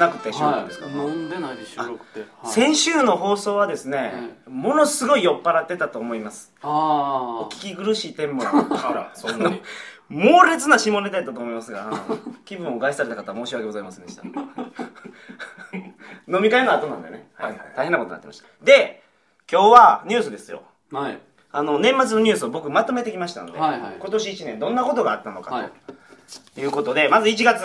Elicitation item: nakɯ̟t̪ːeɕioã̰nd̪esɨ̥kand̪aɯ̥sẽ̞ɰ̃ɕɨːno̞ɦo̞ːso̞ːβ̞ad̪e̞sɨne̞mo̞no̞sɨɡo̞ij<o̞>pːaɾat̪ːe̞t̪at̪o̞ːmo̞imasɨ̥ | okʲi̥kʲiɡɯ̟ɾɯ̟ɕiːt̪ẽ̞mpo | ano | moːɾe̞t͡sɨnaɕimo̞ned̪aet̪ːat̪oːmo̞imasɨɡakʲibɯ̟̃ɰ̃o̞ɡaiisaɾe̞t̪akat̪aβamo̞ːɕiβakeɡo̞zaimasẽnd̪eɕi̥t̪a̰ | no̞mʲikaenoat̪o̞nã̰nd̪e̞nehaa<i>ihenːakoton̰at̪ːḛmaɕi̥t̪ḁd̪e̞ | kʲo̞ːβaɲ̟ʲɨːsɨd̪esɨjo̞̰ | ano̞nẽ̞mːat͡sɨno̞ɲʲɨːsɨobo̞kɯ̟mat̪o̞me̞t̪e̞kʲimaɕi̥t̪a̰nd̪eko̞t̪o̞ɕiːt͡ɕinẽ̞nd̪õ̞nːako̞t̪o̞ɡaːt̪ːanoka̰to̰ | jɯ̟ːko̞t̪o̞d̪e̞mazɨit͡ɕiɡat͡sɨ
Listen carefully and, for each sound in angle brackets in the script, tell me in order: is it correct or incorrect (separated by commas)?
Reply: correct, incorrect